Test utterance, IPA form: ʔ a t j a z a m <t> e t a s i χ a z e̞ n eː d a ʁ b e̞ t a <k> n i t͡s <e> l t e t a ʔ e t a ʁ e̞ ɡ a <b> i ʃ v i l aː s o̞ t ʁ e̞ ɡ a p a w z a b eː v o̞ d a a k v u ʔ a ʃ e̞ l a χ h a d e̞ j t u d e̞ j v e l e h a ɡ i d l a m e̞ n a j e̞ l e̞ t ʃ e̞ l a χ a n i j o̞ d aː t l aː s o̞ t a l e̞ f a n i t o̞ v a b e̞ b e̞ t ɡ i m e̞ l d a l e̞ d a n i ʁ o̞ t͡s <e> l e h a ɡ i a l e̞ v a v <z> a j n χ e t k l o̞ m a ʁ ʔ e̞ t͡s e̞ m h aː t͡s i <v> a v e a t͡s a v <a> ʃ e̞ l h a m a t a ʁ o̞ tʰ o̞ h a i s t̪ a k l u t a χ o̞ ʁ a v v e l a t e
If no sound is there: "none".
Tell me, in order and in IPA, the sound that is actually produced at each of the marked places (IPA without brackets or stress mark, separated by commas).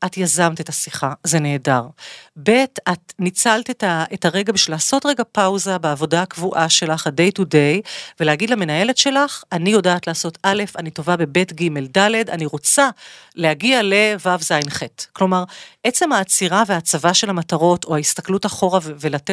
t, t, a, b, a, z, ʁ, a